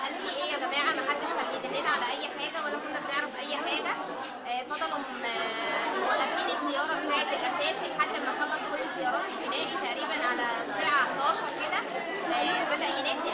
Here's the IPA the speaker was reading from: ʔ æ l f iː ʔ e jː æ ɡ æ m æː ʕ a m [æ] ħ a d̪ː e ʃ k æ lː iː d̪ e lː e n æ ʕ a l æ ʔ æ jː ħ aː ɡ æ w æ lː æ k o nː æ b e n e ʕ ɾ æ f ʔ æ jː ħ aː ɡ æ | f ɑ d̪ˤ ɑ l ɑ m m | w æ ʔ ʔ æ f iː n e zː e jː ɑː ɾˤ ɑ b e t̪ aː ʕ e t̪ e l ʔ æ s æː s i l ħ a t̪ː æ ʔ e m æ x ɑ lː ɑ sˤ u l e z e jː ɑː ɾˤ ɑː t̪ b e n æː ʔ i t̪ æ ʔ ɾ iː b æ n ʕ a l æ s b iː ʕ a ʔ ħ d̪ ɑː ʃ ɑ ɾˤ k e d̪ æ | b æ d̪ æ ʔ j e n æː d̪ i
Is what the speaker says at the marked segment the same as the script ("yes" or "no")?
yes